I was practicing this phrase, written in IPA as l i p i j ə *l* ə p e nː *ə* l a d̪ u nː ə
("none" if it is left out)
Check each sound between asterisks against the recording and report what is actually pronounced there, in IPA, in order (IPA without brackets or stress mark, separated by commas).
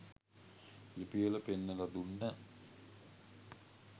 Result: l, ə